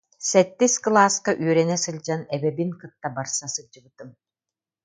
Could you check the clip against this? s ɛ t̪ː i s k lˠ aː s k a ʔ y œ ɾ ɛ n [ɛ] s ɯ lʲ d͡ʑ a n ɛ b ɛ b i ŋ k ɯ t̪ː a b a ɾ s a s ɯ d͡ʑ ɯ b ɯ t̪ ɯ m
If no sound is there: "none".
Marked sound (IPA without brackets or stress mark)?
ɛ